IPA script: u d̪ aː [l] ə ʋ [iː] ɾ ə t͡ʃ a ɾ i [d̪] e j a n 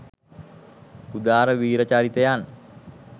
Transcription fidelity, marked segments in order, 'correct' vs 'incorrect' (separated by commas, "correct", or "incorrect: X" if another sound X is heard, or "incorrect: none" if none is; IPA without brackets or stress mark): incorrect: ɾ, correct, incorrect: t̪